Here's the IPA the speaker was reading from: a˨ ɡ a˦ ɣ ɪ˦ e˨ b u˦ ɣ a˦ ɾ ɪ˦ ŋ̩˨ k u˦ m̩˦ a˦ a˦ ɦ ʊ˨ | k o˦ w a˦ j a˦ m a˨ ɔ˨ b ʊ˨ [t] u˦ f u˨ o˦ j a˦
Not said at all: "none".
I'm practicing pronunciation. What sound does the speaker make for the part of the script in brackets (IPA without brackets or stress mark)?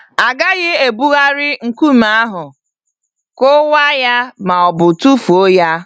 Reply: t